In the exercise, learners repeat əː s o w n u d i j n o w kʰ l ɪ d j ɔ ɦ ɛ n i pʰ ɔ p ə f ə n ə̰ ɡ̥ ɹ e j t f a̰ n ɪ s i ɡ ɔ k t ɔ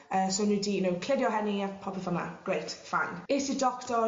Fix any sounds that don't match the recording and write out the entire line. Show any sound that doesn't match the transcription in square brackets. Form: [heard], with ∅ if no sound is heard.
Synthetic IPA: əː s o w n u d i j n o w kʰ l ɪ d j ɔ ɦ ɛ n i pʰ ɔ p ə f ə n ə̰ ɡ̥ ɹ e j t f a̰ n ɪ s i [d] ɔ k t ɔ